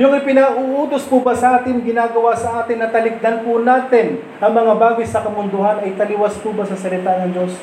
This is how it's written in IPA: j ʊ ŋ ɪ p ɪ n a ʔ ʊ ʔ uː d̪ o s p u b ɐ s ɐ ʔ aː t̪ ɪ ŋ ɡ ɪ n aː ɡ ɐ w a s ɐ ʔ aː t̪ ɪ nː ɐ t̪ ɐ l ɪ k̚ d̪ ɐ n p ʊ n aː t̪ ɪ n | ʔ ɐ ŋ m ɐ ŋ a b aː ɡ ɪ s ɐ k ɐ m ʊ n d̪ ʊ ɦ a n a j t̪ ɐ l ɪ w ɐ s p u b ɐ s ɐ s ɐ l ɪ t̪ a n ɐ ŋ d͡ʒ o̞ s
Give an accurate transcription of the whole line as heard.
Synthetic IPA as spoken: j ʊ ŋ ɪ p ɪ n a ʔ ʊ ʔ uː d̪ o s p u b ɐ s ɐ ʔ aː t̪ ɪ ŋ ɡ ɪ n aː ɡ ɐ w a s ɐ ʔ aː t̪ ɪ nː ɐ t̪ ɐ l ɪ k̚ d̪ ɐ n p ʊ n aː t̪ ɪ n | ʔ ɐ ŋ m ɐ ŋ a b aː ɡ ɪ s ɐ k ɐ m ʊ n d̪ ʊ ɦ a n ɐ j t̪ ɐ l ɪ w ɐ s p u b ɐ s ɐ s ɐ l ɪ t̪ a n ɐ ŋ d͡ʒ o̞ s